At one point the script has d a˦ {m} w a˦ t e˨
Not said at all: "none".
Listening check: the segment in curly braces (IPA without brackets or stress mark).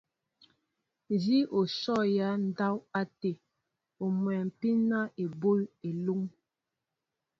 none